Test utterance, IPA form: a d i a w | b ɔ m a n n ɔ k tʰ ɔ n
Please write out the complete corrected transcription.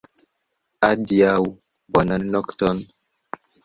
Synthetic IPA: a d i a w | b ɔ n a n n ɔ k t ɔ n